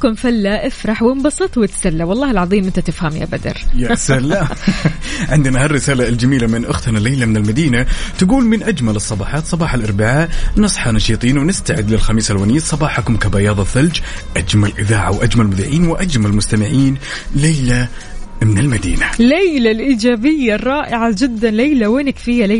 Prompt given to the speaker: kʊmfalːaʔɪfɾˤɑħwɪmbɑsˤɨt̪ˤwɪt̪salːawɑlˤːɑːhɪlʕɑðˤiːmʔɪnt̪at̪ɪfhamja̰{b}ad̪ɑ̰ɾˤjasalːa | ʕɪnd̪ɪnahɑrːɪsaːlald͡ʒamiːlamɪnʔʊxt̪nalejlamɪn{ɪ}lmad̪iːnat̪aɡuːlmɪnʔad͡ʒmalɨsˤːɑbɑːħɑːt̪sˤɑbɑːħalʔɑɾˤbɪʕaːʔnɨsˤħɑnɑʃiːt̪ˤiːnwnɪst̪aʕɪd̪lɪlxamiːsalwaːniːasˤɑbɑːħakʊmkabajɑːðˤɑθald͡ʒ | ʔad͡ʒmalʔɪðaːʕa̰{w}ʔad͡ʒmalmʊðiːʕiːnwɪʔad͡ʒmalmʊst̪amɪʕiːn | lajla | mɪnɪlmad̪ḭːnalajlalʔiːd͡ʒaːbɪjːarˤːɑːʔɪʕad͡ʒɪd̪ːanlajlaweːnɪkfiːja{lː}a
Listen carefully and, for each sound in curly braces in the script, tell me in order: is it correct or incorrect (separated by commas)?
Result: correct, correct, correct, incorrect